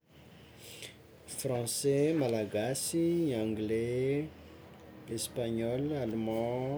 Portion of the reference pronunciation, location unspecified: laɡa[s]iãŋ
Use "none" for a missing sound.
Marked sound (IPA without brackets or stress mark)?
s